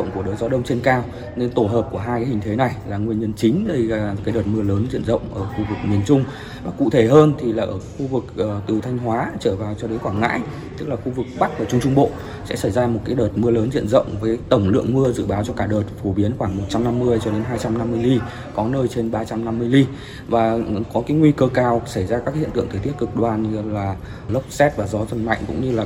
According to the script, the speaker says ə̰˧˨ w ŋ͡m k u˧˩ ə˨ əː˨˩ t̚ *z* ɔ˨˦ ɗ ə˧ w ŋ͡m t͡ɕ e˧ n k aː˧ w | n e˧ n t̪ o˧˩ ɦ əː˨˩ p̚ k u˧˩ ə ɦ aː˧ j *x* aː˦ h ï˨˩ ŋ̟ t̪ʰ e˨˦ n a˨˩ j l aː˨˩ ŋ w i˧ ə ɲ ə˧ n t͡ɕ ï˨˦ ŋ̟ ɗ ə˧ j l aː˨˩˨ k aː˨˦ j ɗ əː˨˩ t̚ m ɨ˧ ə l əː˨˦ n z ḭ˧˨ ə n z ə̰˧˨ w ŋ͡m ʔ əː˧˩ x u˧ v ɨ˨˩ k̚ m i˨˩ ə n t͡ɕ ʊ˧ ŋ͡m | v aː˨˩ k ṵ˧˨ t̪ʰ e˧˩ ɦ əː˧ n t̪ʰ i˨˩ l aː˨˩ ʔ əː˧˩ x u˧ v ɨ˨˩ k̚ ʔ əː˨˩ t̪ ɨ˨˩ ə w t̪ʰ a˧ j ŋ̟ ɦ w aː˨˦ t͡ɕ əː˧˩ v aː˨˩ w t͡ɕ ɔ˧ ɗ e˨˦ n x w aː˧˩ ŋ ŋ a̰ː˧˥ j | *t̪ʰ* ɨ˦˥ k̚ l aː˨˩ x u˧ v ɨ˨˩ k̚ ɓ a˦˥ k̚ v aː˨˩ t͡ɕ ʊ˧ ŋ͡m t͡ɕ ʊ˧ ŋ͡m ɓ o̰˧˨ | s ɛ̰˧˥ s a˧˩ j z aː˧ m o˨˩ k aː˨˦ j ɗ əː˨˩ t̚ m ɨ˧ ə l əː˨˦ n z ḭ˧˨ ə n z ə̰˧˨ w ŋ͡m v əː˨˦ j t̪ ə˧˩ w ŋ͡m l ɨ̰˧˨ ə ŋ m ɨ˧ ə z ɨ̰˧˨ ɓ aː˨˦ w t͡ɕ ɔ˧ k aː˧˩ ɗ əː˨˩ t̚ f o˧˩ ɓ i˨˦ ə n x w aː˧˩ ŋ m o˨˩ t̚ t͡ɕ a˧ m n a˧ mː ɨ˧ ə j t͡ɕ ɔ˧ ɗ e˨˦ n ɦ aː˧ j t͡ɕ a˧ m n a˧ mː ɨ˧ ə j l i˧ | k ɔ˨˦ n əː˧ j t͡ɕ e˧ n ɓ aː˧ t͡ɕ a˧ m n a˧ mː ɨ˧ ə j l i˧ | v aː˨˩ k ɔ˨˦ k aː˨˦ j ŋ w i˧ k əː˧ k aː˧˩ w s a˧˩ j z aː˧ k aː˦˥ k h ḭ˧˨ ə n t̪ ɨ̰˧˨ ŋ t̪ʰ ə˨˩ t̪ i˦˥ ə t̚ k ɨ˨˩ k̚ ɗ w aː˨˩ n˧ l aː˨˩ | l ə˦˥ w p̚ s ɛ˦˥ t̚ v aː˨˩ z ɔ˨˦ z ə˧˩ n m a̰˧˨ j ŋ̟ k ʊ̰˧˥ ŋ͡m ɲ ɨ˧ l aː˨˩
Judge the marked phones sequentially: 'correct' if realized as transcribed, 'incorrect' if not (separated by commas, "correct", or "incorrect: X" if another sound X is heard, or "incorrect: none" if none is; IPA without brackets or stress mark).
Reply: correct, incorrect: k, incorrect: t̪